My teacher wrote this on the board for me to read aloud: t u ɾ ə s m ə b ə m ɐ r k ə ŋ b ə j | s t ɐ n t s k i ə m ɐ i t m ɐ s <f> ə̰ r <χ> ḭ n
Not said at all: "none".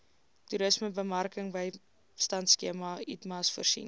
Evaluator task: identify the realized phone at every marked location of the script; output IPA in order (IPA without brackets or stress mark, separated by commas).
f, s